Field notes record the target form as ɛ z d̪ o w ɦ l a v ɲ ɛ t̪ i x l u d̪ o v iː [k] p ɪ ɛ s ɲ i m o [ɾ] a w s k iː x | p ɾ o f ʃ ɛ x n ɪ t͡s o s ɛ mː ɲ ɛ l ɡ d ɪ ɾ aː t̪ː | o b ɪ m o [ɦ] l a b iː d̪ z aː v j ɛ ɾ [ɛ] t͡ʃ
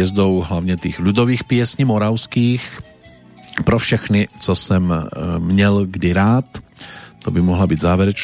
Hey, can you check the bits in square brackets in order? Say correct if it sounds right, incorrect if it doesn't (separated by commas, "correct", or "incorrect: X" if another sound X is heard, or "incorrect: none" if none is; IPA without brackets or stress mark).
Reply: incorrect: x, correct, correct, correct